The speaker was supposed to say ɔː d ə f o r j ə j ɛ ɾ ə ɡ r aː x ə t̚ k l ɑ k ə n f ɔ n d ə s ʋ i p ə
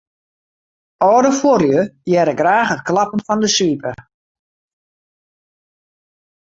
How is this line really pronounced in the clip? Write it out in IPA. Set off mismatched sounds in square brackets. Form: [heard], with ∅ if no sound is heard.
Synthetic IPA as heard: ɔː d ə f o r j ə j ɛ ɾ ə ɡ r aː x ə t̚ k l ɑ [p] ə n f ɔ n d ə s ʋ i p ə